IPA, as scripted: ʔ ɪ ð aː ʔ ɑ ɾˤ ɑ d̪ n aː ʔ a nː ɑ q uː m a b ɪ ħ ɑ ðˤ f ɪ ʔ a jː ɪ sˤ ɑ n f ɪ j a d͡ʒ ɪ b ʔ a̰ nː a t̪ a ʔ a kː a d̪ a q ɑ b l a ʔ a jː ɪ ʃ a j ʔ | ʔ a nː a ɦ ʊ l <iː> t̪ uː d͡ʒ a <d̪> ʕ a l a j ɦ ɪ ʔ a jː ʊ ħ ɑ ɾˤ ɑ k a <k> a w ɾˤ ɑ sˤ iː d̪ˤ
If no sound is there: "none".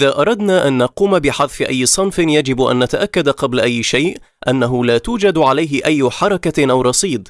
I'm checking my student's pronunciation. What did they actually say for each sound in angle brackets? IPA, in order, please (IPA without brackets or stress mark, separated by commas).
aː, d̪, ʔ